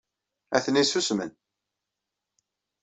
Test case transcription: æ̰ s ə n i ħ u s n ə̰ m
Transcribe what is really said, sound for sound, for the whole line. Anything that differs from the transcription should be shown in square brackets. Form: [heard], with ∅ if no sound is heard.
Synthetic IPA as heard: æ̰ [θ] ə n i [s] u s [m] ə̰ [n]